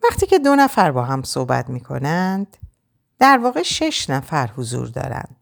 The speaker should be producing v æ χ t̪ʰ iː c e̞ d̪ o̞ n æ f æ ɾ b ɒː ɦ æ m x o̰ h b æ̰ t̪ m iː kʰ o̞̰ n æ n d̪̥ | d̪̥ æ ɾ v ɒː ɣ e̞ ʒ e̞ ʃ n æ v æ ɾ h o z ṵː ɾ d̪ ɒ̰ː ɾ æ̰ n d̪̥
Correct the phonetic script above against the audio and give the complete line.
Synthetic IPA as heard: v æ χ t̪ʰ iː c e̞ d̪ o̞ n æ f æ ɾ b ɒː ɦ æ m s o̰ h b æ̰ t̪ m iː kʰ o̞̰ n æ n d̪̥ | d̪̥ æ ɾ v ɒː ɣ e̞ ʃ e̞ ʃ n æ f æ ɾ h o z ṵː ɾ d̪ ɒ̰ː ɾ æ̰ n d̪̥